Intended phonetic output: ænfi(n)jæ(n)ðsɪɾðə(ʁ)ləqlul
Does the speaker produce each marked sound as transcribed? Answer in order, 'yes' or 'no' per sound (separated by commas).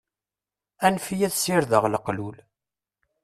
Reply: no, no, yes